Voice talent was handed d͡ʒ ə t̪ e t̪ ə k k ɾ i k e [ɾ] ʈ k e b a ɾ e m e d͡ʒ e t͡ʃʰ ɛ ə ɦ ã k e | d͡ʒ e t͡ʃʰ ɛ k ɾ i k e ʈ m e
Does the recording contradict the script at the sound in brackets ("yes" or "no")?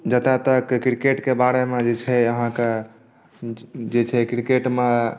yes